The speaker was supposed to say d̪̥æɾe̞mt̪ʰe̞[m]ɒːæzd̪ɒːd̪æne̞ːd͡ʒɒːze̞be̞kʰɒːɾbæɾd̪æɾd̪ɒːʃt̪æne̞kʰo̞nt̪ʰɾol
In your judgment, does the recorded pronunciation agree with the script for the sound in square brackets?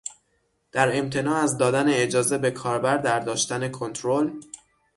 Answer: no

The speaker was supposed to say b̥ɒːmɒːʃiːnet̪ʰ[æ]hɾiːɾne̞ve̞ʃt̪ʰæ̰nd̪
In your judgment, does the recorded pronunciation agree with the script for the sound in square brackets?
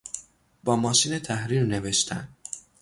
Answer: yes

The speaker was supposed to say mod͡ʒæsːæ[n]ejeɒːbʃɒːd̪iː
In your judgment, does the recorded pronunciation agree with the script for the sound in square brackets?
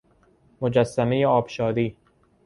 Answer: no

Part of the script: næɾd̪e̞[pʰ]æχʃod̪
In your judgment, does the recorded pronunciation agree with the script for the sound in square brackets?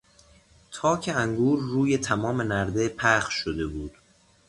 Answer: yes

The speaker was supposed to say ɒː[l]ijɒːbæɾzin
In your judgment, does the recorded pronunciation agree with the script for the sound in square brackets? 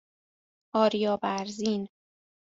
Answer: no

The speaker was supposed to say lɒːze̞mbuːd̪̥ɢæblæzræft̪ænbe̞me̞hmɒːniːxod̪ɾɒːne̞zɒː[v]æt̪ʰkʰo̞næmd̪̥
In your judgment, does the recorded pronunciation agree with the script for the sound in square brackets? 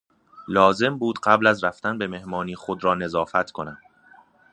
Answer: no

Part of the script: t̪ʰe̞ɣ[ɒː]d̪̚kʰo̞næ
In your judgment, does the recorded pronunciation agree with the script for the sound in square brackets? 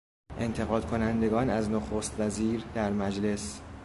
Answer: yes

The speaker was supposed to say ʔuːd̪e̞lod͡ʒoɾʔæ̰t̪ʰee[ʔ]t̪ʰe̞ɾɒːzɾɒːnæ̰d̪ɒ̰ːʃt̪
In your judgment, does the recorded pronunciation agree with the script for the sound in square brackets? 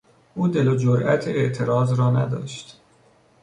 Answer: yes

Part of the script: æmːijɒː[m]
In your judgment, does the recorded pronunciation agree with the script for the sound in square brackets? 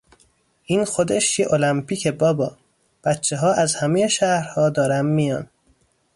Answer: no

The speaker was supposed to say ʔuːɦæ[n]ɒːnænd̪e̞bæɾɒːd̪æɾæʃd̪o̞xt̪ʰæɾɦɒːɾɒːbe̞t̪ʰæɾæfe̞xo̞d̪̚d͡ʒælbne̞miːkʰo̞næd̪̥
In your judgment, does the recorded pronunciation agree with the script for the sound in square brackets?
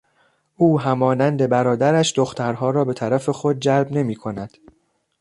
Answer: no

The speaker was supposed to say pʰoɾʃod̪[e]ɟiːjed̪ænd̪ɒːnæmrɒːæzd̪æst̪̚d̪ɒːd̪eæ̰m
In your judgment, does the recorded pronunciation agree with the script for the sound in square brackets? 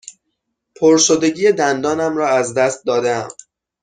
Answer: yes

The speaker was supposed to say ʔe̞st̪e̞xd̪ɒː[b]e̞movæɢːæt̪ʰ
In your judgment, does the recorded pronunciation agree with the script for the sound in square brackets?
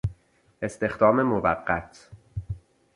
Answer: no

